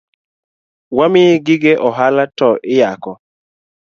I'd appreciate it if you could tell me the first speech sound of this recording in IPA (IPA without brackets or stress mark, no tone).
w